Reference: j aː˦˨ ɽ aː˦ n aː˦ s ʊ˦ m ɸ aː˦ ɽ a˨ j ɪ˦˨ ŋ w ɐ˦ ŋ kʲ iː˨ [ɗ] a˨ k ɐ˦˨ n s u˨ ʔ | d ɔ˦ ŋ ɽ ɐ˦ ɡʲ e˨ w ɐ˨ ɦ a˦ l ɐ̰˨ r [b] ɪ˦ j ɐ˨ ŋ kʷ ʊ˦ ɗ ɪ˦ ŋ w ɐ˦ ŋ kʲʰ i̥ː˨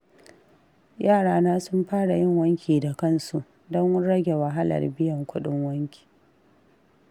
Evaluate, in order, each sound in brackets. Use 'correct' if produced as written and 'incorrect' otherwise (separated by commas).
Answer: incorrect, correct